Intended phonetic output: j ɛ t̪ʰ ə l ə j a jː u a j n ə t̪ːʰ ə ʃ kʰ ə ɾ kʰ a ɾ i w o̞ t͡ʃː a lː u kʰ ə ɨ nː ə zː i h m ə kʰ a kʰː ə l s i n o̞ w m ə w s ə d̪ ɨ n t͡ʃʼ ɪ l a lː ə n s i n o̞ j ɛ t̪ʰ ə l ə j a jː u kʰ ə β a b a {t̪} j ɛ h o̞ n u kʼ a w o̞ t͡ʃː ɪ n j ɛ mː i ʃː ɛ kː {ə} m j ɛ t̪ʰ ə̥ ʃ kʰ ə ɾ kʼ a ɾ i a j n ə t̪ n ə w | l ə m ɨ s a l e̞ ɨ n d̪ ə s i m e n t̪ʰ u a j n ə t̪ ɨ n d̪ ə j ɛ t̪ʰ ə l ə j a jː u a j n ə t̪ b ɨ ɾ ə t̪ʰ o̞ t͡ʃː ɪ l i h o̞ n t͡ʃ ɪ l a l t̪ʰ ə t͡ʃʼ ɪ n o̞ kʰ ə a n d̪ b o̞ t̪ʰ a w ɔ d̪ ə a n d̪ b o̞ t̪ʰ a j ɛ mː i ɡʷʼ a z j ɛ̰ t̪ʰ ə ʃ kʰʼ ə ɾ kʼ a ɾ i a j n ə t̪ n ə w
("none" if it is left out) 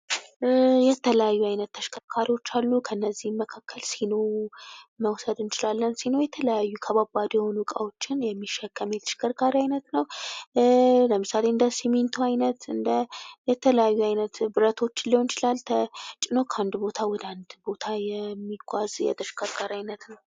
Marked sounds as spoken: d̪, ə

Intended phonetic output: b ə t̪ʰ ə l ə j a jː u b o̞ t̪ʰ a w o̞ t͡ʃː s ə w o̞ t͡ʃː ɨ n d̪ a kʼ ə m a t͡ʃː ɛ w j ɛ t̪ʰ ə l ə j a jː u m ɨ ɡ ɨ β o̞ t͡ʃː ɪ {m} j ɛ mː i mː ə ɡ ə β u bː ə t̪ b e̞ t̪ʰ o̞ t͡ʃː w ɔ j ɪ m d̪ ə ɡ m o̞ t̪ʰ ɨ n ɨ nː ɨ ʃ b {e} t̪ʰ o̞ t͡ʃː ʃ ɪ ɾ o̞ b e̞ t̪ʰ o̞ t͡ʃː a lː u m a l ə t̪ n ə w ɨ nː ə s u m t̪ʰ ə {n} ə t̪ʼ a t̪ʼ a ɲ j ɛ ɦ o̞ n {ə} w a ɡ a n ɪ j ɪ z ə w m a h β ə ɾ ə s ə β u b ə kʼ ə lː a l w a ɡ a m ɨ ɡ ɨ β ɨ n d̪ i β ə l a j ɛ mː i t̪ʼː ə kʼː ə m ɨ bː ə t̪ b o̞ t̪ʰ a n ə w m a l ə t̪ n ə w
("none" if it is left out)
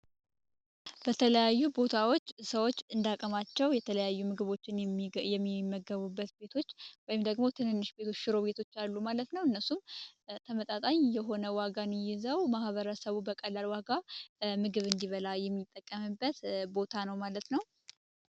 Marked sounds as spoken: n, e, m, ə

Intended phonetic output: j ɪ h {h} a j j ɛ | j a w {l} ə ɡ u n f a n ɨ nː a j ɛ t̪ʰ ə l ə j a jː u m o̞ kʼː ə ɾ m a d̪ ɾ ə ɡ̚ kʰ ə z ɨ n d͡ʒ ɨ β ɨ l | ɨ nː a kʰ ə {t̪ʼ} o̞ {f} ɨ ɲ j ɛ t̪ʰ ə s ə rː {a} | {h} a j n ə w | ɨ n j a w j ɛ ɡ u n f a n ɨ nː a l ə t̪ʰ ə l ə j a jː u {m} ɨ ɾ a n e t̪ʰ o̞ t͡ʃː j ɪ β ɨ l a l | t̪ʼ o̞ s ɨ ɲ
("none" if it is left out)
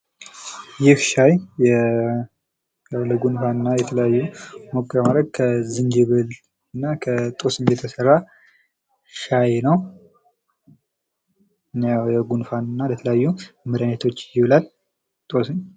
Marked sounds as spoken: ʃ, l, t̪ʼ, s, a, ʃ, m

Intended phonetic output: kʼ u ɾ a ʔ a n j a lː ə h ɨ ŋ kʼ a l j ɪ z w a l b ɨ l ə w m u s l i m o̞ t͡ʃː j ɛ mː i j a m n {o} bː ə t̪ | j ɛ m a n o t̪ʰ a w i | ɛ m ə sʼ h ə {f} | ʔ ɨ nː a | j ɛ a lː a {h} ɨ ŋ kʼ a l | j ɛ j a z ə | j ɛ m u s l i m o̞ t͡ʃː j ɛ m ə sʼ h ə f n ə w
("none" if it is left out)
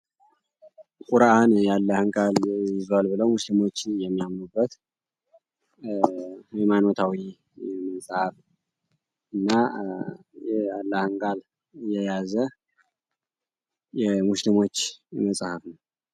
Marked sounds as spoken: u, f, h

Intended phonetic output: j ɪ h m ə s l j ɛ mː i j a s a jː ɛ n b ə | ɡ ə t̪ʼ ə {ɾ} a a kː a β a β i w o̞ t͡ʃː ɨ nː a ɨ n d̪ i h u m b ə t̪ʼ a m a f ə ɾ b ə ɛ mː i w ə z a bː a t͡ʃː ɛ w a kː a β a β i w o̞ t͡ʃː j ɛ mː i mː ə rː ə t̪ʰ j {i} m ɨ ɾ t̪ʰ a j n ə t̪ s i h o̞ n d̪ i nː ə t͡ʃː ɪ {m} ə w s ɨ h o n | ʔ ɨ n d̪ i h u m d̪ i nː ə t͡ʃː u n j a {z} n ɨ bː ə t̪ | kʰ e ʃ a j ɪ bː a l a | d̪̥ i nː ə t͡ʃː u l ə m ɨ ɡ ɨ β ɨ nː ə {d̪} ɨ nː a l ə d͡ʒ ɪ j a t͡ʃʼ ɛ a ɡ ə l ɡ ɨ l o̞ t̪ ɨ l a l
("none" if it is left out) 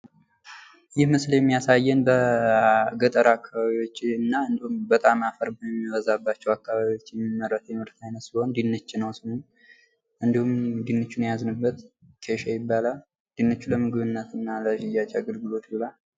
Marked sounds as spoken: ɾ, ɛ, n, z, t̪

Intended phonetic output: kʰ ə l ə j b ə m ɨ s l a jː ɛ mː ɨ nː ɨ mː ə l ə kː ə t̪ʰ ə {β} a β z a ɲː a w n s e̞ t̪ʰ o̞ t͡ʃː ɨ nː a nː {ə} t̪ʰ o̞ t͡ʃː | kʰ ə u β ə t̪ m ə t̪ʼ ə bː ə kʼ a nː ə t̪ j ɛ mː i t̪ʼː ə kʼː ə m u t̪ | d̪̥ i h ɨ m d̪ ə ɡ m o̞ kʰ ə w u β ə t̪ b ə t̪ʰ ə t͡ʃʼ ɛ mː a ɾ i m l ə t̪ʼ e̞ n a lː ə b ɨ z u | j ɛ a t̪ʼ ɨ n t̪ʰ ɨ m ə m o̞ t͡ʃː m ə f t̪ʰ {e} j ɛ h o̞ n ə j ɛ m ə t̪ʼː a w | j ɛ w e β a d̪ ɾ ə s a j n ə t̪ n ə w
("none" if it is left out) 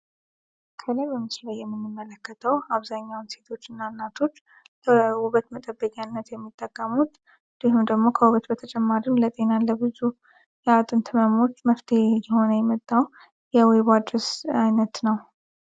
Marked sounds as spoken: w, a, e

